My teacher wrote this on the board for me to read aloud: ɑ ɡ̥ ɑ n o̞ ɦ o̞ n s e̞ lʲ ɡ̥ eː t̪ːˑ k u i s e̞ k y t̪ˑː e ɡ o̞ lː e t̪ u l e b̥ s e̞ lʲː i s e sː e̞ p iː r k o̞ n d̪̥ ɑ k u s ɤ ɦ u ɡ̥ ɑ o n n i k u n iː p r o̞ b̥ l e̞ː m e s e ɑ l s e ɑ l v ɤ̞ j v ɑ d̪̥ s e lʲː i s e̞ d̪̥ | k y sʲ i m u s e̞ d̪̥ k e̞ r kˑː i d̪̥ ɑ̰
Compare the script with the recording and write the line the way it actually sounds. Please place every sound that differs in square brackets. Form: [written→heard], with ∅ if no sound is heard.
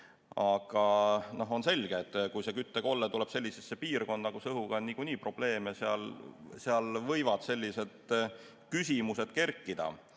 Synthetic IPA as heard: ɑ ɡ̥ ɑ n o̞ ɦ o̞ n s e̞ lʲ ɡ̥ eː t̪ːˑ k u [i→j] s e̞ k y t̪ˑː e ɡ o̞ lː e t̪ u l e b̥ s e̞ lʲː i s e sː e̞ p iː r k o̞ n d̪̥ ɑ k u s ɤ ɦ u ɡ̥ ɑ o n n i k u n iː p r o̞ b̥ l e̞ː m e s e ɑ l s e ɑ l v ɤ̞ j v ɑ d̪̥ s e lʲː i s e̞ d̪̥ | k y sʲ i m u s e̞ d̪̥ k e̞ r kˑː i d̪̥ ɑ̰